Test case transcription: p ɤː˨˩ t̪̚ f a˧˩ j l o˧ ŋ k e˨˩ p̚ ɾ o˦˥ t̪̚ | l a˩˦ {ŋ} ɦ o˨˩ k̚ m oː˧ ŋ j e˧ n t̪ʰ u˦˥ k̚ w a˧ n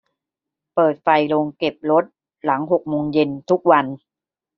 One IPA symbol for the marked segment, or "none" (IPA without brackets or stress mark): ŋ